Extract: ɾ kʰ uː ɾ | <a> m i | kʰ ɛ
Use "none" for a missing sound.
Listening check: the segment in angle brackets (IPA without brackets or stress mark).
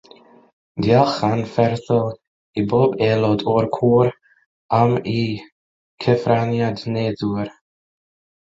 a